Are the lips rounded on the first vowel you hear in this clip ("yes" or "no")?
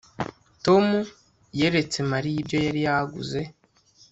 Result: yes